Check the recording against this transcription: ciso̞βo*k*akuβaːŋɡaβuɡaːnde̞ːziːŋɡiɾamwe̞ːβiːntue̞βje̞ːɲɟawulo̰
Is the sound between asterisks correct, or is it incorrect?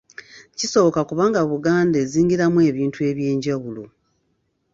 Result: correct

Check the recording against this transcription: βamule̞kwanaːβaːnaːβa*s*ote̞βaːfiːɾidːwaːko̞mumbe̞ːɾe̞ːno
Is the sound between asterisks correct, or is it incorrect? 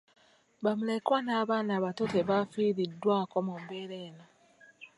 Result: incorrect: t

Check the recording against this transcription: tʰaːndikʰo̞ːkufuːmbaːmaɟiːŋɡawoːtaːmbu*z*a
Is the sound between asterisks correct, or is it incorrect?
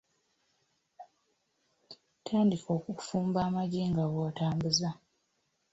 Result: correct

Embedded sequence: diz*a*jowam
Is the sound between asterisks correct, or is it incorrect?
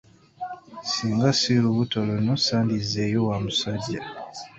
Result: incorrect: e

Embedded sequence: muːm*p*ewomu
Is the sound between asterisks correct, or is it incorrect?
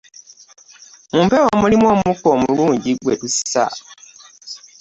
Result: correct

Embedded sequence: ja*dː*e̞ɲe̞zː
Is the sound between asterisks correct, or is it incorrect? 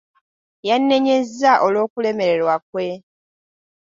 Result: incorrect: nː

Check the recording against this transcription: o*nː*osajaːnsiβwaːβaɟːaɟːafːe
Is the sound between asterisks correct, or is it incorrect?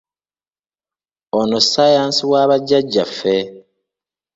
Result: incorrect: n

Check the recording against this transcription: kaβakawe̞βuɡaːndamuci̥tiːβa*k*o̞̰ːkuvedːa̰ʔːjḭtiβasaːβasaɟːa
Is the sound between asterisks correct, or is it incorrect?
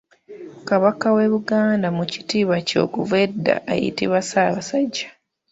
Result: incorrect: c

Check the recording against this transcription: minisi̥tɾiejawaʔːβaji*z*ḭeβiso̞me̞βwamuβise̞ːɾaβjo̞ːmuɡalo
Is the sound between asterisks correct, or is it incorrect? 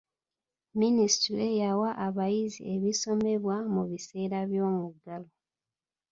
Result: correct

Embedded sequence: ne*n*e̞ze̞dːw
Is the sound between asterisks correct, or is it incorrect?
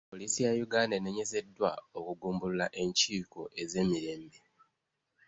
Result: incorrect: ɲ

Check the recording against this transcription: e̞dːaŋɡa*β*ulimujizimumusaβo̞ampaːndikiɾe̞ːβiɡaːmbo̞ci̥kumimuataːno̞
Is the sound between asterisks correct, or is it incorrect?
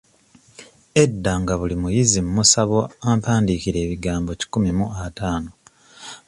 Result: correct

